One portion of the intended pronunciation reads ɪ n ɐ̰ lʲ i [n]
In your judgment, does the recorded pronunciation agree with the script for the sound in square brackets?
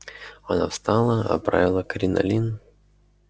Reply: yes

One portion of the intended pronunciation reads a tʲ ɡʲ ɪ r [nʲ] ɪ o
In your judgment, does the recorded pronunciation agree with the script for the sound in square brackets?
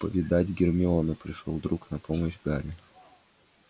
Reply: no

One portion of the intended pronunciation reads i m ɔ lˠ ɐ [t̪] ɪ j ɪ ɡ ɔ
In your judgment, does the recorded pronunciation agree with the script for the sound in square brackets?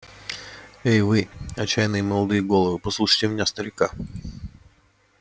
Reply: no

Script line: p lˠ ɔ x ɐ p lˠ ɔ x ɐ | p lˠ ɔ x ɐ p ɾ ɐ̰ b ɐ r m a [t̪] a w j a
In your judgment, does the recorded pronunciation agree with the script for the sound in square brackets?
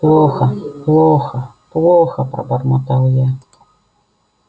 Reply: yes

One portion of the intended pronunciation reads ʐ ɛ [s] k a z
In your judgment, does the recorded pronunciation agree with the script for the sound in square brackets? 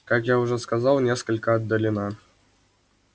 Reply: yes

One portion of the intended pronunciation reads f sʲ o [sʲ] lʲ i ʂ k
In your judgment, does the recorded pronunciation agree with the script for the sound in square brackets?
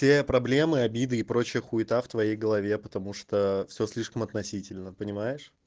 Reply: yes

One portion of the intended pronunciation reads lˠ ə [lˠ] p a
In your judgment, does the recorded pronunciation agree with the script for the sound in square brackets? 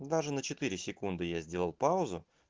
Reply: yes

